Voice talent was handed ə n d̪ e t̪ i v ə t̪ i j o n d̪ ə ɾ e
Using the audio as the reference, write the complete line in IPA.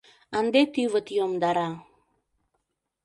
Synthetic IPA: a n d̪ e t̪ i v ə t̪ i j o m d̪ a ɾ a